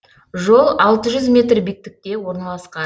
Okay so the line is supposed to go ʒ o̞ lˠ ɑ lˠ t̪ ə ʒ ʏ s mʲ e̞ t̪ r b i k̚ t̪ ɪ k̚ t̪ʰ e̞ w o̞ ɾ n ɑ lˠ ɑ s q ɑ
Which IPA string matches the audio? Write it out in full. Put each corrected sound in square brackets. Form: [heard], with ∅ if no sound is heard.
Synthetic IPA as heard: ʒ o̞ lˠ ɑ lˠ t̪ ə ʒ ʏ [z] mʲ e̞ t̪ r b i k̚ t̪ ɪ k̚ [t̪] e̞ w o̞ ɾ n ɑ lˠ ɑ s q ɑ